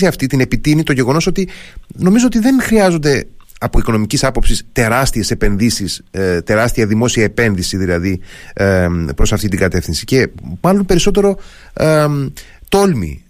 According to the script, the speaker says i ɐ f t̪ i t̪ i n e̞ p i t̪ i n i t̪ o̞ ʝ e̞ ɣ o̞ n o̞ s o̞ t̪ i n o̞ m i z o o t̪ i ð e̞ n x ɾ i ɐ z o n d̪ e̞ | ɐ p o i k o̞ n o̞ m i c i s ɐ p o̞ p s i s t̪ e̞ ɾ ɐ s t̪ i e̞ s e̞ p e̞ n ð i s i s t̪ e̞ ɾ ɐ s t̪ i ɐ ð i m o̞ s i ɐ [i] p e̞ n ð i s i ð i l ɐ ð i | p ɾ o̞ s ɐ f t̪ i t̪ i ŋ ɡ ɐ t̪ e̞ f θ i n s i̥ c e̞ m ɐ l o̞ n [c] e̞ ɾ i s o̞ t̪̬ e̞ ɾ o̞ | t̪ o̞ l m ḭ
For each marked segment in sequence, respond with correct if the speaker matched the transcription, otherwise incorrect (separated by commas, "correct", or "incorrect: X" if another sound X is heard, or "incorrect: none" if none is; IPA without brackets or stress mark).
incorrect: e, incorrect: p